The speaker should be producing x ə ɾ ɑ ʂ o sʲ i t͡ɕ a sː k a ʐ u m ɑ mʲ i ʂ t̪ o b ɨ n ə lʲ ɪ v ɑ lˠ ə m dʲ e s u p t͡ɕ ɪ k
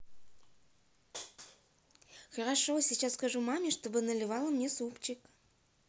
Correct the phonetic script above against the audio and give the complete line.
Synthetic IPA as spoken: x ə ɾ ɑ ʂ o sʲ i t͡ɕ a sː k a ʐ u m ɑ mʲ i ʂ t̪ o b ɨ n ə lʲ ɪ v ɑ lˠ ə m nʲ e s u p t͡ɕ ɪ k